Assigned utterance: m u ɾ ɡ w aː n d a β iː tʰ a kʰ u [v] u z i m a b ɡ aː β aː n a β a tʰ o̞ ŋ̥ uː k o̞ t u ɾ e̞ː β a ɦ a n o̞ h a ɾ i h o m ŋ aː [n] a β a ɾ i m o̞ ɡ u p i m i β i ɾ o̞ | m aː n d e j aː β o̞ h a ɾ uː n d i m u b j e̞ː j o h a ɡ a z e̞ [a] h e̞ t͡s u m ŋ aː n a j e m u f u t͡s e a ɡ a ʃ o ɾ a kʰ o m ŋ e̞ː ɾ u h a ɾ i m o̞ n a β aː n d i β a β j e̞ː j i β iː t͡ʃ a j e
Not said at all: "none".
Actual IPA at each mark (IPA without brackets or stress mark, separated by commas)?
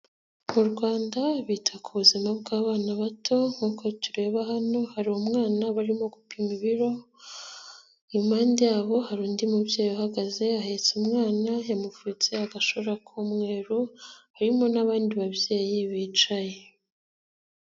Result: β, n, a